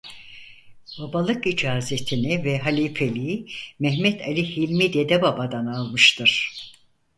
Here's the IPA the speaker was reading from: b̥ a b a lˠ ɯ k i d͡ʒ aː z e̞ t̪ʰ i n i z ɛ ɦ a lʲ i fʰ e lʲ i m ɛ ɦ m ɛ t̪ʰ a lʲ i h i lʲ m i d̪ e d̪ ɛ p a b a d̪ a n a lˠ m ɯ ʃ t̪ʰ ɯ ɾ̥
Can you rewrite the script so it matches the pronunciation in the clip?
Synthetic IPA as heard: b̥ a b a lˠ ɯ k i d͡ʒ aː z e̞ t̪ʰ i n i v ɛ ɦ a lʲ i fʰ e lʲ i m ɛ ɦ m ɛ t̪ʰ a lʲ i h i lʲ m i d̪ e d̪ ɛ b a b a d̪ a n a lˠ m ɯ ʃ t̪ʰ ɯ ɾ̥

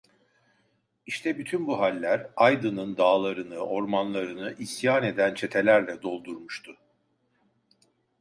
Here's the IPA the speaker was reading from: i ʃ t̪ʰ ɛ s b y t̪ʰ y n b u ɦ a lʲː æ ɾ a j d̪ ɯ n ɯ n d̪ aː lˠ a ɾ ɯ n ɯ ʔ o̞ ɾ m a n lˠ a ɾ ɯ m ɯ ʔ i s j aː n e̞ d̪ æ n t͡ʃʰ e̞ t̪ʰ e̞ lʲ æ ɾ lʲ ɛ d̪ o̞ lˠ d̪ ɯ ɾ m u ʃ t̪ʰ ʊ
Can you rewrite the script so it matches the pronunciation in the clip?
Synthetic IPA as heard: i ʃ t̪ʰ ɛ b y t̪ʰ y n b u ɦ a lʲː æ ɾ a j d̪ ɯ n ɯ n d̪ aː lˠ a ɾ ɯ n ɯ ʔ o̞ ɾ m a n lˠ a ɾ ɯ n ɯ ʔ i s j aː n e̞ d̪ æ n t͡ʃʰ e̞ t̪ʰ e̞ lʲ æ ɾ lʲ ɛ d̪ o̞ lˠ d̪ u ɾ m u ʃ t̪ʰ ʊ

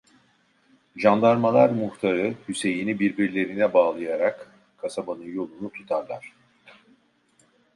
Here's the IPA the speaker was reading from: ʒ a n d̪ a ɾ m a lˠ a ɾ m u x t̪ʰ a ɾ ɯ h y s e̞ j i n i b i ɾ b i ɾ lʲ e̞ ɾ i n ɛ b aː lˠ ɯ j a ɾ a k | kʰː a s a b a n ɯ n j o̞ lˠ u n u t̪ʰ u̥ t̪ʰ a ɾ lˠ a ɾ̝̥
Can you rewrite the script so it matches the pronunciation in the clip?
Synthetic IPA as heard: ʒ a n d̪ a ɾ m a lˠ a ɾ m u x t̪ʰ a ɾ ɯ h y s e̞ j i n i b i ɾ b i ɾ lʲ e̞ ɾ i n ɛ b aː lˠ ɯ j a ɾ a k | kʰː a s a b a n ɯ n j o̞ lˠ u n u t̪ʰ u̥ t̪ʰ a ɾ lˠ a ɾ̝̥

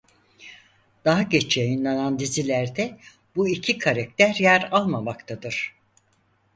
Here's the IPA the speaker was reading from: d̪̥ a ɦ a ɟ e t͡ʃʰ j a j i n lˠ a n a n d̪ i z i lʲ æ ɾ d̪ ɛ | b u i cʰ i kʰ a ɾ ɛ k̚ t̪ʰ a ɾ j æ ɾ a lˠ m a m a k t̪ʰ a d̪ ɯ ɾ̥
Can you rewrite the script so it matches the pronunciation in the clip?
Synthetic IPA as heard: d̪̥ a ɦ a ɟ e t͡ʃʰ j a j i n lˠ a n a n d̪ i z i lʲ æ ɾ d̪ ɛ | b u i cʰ i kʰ a ɾ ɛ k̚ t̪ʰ æ ɾ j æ ɾ a lˠ m a m a k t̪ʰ a d̪ ɯ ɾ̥

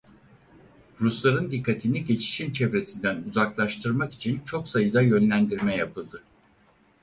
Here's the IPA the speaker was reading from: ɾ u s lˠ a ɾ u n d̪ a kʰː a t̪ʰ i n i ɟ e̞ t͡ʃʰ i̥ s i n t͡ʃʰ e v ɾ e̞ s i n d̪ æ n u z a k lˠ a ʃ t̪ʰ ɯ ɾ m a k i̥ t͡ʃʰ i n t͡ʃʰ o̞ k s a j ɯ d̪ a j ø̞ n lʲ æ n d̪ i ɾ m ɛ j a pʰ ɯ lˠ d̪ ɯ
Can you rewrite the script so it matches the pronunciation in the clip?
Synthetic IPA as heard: ɾ u s lˠ a ɾ ɯ n d̪ i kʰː a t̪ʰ i n i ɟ e̞ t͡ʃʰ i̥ ʃ i n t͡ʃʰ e v ɾ e̞ s i n d̪ æ n u z a k lˠ a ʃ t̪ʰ ɯ ɾ m a k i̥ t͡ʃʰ i n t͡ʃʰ o̞ k s a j ɯ d̪ a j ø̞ n lʲ æ n d̪ i ɾ m ɛ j a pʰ ɯ lˠ d̪ ɯ

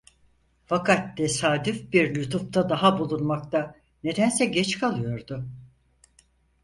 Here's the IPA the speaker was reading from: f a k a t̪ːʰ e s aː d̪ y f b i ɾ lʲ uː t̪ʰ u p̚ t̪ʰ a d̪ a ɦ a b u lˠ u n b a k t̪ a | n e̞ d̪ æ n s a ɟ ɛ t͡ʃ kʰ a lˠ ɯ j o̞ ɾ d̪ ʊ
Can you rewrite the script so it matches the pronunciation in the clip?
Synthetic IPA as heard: f a k a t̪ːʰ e s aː d̪ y f b i ɾ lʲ u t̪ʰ u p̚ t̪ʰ a d̪ a ɦ a b u lˠ u n m a k t̪ a | n e̞ d̪ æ n s ɛ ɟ ɛ t͡ʃ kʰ a lˠ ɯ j o̞ ɾ d̪ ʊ

